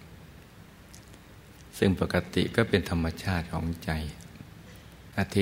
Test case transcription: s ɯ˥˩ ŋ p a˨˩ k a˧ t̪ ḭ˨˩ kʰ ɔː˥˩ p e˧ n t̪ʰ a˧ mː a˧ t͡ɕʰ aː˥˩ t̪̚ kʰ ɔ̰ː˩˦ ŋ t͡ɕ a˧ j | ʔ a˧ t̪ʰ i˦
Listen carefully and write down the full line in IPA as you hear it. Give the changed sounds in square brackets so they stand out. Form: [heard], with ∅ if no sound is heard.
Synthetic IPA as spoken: s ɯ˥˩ ŋ p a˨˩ k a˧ t̪ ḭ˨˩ [k] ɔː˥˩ p e˧ n t̪ʰ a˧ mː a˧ t͡ɕʰ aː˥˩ t̪̚ kʰ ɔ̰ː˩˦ ŋ t͡ɕ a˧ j | ʔ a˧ t̪ʰ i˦